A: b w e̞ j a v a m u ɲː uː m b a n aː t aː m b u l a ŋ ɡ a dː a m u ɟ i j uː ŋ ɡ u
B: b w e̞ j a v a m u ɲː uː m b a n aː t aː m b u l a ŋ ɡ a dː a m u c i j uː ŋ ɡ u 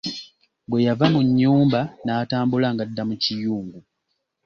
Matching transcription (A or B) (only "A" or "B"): B